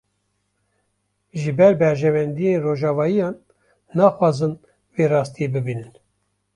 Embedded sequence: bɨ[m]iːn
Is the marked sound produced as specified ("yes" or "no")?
no